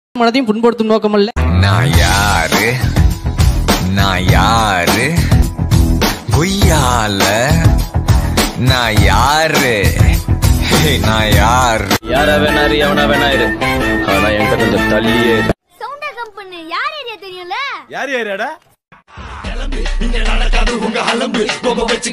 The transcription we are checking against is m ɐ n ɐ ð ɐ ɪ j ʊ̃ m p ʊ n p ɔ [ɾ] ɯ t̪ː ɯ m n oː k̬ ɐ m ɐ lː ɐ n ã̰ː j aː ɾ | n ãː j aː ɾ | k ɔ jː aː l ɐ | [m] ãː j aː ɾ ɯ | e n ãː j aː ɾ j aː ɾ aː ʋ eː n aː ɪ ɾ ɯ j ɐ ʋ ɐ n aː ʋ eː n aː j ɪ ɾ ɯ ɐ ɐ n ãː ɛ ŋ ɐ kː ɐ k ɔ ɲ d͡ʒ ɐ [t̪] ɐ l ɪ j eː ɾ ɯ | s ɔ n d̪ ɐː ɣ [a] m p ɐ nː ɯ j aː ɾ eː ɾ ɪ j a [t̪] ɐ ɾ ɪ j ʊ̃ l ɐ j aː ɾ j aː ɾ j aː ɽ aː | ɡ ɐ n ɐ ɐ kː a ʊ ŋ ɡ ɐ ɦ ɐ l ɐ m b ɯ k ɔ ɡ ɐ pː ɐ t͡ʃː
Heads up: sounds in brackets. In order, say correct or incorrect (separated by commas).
incorrect, incorrect, correct, incorrect, correct